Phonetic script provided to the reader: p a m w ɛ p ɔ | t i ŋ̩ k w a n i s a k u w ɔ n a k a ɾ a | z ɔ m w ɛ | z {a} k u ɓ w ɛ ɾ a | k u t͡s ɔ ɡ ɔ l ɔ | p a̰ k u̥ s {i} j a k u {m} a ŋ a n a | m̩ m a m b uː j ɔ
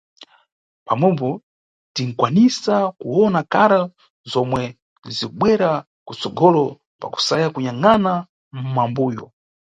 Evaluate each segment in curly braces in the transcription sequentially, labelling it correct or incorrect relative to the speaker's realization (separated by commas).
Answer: incorrect, incorrect, incorrect